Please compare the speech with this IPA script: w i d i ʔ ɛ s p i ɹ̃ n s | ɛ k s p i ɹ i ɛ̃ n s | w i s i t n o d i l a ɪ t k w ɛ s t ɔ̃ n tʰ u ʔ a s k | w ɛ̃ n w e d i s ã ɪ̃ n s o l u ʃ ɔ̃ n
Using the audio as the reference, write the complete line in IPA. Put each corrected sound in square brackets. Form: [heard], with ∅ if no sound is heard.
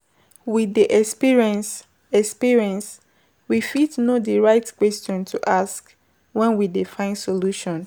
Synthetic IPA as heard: w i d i ʔ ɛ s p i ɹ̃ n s | ɛ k s p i ɹ i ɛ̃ n s | w i [f] i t n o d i [ɹ] a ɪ t k w ɛ s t ɔ̃ n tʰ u ʔ a s k | w ɛ̃ n w [i] d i [f] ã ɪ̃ n s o l u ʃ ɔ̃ n